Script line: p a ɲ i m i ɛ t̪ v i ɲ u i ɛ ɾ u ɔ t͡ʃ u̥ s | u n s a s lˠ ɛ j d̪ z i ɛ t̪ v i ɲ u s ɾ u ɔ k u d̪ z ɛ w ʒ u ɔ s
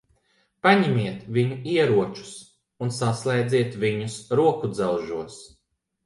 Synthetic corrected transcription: p a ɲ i m i ɛ t̪ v i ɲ u i ɛ ɾ u ɔ t͡ʃ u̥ s | u n s a s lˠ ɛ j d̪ z i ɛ t̪ v i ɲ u s ɾ u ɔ k u d̪ z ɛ w ʒ u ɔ s